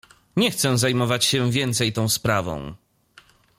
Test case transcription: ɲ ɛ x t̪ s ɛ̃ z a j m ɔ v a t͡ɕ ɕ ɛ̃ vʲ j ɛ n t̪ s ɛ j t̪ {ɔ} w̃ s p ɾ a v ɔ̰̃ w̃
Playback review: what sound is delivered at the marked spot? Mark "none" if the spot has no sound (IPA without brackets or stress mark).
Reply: ɔ̃